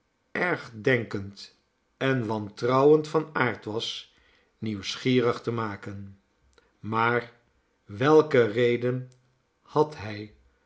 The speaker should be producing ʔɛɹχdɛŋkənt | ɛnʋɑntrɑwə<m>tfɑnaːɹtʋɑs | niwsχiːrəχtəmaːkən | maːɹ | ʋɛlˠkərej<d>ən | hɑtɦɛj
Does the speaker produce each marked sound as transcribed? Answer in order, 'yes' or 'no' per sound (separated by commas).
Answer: no, yes